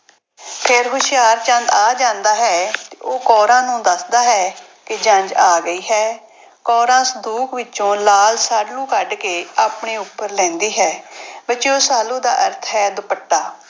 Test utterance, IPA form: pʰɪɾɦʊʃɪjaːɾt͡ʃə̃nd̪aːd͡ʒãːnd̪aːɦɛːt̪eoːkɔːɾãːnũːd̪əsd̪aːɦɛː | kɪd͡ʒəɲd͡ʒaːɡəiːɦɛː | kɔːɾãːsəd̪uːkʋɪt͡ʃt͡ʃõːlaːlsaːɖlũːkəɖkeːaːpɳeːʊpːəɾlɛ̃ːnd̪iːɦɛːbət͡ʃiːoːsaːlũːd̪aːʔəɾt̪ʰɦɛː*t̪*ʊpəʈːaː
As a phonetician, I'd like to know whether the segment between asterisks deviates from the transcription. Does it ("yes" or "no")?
yes